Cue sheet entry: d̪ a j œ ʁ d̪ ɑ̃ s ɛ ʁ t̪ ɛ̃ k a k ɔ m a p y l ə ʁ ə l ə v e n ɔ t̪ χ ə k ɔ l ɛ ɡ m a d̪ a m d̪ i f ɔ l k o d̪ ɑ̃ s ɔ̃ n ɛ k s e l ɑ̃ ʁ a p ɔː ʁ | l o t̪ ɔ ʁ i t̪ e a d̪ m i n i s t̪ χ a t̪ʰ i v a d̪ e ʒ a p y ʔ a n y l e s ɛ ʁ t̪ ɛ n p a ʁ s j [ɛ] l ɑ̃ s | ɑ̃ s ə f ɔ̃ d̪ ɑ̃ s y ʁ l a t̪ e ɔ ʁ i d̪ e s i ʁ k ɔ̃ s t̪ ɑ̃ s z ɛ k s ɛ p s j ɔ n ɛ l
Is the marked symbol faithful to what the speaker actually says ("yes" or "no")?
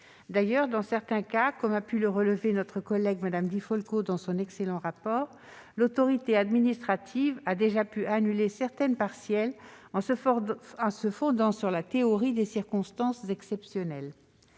yes